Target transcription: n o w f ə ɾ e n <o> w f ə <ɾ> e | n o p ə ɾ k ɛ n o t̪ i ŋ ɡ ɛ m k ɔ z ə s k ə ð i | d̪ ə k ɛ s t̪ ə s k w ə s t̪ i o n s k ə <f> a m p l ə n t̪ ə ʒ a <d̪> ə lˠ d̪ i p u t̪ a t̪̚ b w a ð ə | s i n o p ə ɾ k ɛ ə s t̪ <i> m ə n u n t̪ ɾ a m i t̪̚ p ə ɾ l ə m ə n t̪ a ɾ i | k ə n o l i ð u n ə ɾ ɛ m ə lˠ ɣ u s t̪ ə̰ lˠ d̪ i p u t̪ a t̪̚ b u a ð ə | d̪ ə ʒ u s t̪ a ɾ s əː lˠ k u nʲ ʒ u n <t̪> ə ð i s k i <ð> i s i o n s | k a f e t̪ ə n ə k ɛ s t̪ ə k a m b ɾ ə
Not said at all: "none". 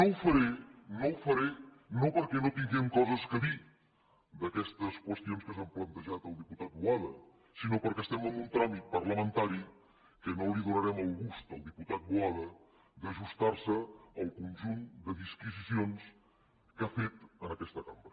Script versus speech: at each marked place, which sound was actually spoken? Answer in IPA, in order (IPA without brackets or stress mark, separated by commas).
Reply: o, ɾ, s, t̪, ɛ, d̪, z